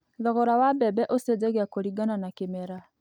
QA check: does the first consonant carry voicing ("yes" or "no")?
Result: yes